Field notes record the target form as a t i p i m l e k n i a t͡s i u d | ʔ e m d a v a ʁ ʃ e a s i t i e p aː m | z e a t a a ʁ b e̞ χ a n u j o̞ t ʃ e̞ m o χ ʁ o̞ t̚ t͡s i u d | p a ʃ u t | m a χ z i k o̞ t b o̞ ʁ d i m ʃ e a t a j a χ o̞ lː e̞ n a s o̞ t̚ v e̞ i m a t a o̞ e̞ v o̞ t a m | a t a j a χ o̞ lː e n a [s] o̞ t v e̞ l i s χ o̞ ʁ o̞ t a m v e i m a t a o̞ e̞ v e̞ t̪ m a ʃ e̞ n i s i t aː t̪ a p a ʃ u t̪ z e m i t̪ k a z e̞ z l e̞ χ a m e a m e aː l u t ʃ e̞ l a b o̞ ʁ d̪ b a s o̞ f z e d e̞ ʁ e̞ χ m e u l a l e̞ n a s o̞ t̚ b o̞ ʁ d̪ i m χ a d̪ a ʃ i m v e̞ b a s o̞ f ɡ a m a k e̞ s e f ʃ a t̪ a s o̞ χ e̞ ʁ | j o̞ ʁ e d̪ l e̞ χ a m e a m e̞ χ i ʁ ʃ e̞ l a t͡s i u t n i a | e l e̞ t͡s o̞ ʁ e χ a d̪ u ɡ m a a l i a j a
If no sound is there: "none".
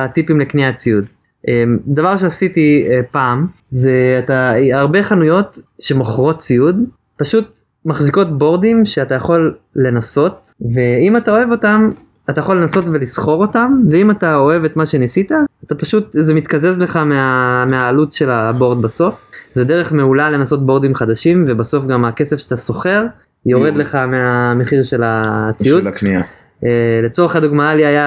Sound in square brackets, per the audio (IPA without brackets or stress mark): s